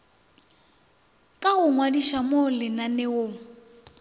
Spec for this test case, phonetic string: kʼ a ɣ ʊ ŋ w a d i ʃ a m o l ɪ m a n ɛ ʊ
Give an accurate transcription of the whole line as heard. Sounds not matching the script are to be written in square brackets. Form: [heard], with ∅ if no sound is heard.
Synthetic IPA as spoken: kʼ a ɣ ʊ ŋ w a d i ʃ a m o l ɪ [n] a n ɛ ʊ